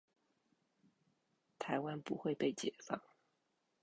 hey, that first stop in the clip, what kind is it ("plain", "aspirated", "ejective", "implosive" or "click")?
aspirated